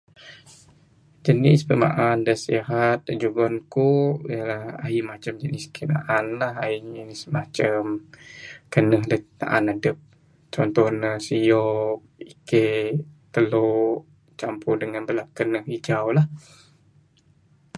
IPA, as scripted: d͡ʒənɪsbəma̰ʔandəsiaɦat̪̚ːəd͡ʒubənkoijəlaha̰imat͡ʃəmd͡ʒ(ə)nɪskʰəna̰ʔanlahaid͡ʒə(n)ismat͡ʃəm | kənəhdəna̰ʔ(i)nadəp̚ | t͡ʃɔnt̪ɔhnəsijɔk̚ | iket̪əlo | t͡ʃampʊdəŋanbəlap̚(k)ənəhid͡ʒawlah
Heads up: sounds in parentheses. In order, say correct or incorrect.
correct, correct, incorrect: a, correct

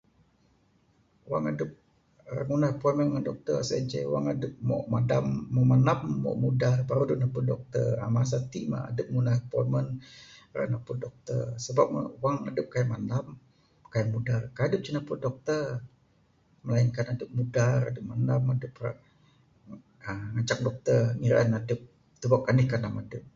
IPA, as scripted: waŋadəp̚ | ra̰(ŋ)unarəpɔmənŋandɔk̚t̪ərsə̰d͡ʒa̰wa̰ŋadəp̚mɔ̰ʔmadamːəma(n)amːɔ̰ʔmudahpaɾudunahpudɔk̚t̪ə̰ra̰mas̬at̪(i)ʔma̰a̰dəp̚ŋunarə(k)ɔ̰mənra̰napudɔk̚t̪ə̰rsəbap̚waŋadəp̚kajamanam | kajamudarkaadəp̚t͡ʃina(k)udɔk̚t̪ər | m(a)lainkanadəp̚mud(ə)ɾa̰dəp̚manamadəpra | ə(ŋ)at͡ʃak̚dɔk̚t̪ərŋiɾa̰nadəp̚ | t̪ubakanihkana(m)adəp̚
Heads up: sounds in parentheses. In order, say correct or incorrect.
correct, correct, correct, incorrect: p, incorrect: p, incorrect: ə, incorrect: a, correct, correct

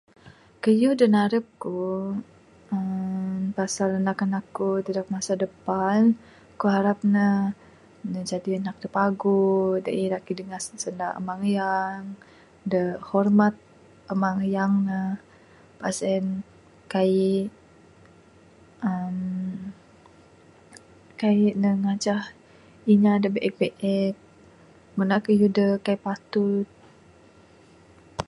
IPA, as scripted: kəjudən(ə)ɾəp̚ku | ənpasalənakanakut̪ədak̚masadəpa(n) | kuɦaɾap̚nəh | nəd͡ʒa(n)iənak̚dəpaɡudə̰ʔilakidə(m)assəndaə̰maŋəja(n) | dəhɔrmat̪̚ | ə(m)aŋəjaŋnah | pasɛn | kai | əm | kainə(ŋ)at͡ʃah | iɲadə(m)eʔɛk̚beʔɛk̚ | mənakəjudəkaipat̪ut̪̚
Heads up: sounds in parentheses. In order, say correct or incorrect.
incorrect: a, correct, incorrect: d, incorrect: ŋ, incorrect: ŋ, correct, correct, incorrect: b

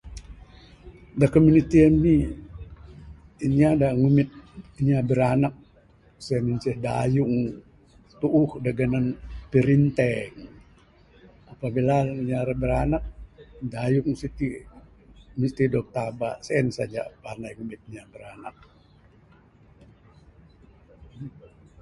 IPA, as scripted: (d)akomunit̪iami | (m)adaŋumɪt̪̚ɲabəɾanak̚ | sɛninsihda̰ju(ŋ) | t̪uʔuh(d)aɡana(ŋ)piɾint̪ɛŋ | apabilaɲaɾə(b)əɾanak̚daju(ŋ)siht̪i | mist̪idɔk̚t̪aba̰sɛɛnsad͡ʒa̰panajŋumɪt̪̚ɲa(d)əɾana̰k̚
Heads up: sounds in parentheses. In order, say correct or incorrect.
correct, incorrect: ɲ, correct, correct, incorrect: n, correct, correct, incorrect: b

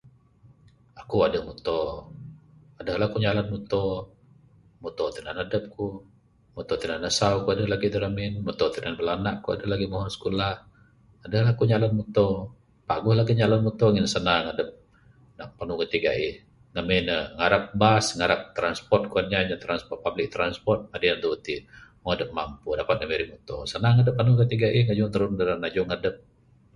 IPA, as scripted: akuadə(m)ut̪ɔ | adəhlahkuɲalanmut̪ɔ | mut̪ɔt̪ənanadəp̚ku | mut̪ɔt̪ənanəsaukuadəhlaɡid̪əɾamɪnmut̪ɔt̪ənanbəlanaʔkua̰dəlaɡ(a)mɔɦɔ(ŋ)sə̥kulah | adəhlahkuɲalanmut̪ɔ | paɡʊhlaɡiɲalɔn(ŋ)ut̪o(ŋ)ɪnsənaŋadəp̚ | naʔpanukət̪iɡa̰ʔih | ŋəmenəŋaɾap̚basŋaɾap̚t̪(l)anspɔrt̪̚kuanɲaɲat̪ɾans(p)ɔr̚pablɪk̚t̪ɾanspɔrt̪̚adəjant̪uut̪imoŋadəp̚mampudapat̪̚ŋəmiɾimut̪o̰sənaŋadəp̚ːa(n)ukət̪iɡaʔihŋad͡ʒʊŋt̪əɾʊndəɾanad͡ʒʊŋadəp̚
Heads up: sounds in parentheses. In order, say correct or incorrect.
correct, incorrect: i, incorrect: n, incorrect: m, correct, incorrect: ɾ, correct, correct

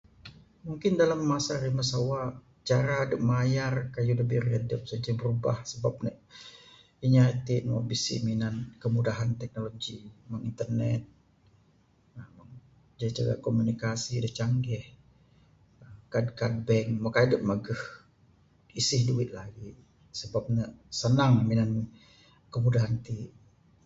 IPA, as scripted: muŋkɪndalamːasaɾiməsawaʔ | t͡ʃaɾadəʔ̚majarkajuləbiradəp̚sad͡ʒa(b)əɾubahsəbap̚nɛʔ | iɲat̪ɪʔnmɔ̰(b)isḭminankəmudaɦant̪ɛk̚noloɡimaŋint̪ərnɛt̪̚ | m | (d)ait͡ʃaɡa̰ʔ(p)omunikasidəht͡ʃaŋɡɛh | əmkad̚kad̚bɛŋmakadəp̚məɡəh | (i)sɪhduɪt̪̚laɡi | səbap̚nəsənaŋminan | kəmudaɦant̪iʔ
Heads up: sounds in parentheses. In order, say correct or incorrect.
correct, correct, incorrect: d͡ʒ, incorrect: k, correct

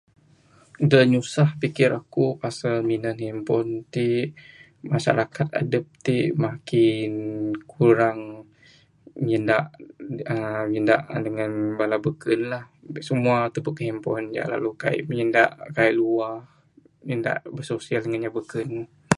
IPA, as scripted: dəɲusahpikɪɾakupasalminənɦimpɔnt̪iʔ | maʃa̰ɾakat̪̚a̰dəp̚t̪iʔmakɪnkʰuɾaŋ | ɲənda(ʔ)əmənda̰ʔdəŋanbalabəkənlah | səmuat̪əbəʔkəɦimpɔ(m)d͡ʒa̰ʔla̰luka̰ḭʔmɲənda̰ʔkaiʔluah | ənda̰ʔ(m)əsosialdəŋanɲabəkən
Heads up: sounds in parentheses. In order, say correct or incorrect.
correct, incorrect: n, incorrect: b

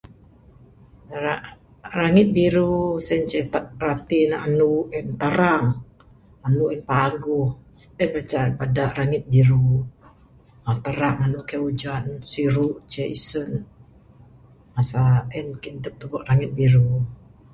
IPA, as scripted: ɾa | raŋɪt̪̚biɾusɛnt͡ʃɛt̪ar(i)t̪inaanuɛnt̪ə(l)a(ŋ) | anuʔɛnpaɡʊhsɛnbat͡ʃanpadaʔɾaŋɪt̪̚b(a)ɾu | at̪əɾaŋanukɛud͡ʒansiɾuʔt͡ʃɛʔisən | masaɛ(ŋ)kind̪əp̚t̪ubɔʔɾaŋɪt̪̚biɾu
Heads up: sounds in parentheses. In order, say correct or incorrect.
incorrect: a, incorrect: ɾ, correct, incorrect: i, incorrect: n

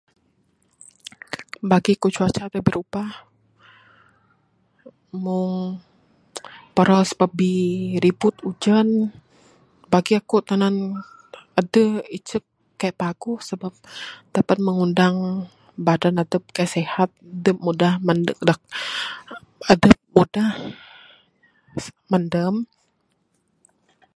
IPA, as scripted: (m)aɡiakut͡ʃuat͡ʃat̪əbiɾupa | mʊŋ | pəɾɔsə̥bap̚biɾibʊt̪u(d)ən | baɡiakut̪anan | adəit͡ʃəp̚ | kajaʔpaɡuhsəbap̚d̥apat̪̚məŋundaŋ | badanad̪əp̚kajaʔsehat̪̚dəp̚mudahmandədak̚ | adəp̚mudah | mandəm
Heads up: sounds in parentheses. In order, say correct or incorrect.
incorrect: b, incorrect: d͡ʒ

